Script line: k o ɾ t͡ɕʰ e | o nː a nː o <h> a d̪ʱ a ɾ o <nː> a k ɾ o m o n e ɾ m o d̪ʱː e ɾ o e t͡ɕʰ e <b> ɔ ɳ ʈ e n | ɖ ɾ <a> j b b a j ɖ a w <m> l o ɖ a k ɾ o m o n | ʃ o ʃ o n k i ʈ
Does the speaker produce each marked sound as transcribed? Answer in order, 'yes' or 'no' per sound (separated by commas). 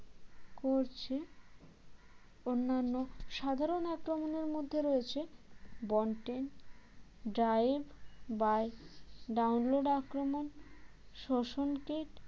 no, no, yes, yes, no